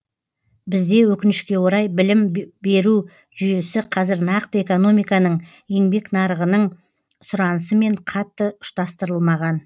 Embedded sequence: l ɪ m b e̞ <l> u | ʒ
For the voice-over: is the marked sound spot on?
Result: no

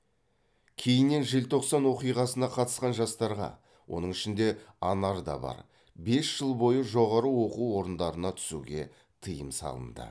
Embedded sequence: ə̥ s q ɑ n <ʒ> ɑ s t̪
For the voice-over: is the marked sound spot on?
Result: yes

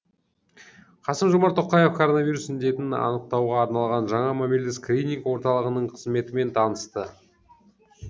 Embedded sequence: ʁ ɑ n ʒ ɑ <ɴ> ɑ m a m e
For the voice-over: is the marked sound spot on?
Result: yes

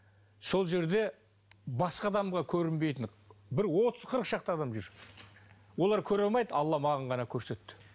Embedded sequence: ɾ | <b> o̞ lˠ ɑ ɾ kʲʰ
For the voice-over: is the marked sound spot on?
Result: no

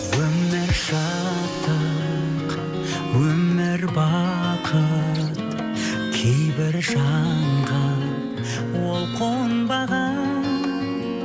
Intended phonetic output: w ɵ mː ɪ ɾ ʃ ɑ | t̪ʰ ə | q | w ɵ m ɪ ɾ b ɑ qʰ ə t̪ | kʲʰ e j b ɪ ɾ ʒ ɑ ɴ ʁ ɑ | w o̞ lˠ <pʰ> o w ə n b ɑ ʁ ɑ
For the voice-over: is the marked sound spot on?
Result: no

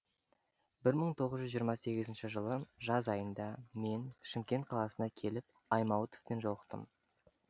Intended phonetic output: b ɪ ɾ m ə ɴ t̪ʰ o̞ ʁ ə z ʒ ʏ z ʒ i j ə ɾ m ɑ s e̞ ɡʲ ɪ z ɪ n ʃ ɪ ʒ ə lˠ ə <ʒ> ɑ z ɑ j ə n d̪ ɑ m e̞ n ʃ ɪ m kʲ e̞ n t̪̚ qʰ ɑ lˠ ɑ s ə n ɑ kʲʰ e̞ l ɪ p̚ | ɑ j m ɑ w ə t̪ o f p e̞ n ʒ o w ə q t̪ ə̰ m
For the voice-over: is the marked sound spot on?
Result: yes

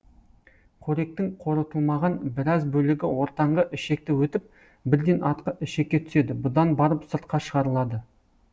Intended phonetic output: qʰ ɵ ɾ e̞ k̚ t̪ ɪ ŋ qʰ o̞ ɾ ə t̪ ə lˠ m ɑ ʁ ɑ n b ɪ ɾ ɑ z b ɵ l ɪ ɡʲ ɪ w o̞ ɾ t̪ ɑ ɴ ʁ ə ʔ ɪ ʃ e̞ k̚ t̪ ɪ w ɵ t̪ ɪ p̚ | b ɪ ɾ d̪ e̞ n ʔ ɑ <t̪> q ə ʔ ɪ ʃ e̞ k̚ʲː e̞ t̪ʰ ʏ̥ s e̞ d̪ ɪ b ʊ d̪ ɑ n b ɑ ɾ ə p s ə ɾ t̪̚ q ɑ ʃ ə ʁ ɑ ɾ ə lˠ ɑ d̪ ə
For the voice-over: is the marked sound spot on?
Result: yes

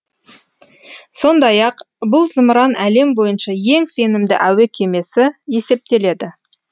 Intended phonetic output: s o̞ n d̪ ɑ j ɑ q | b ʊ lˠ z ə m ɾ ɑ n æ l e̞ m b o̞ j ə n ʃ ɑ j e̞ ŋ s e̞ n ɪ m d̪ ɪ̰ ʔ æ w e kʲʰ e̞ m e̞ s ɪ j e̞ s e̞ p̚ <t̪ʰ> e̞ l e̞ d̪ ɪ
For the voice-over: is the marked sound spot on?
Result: no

